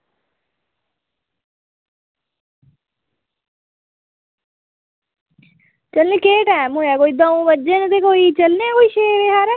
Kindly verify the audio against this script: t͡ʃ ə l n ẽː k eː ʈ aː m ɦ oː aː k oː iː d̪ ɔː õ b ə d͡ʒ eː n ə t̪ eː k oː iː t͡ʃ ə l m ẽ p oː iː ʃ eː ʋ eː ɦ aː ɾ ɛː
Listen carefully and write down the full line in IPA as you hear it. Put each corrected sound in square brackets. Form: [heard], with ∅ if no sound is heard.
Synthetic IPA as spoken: t͡ʃ ə l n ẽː k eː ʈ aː m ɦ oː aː k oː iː d̪ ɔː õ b ə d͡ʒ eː n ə t̪ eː k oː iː t͡ʃ ə l [n] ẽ [k] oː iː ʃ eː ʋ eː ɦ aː ɾ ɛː